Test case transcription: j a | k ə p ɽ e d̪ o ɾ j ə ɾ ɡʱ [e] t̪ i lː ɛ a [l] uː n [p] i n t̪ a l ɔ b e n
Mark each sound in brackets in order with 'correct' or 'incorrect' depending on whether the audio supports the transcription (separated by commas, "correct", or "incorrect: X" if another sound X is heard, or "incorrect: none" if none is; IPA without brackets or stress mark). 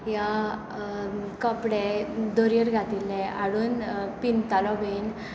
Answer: incorrect: a, incorrect: ɽ, correct